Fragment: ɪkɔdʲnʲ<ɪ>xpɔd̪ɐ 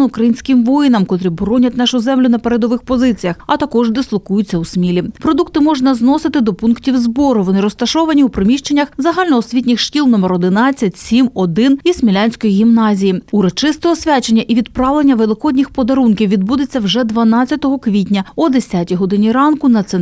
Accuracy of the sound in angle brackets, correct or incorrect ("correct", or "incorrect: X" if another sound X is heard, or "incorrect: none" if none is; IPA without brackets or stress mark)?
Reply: incorrect: i